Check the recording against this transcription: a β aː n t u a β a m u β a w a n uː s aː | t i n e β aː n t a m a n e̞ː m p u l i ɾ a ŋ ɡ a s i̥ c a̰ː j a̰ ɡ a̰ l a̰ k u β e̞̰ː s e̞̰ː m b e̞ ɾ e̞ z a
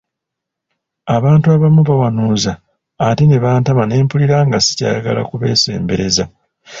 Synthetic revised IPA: a β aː n t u a β a m u β a w a n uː z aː | t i n e β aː n t a m a n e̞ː m p u l i ɾ a ŋ ɡ a s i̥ c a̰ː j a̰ ɡ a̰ l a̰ k u β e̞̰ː s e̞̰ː m b e̞ ɾ e̞ z a